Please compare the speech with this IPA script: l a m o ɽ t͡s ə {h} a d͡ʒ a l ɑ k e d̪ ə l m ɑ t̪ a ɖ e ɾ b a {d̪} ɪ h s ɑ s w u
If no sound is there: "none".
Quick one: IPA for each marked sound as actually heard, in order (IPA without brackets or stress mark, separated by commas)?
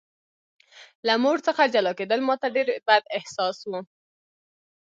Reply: x, d̪